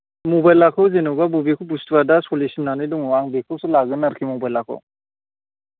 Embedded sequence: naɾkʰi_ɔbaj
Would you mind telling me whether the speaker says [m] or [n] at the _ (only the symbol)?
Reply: m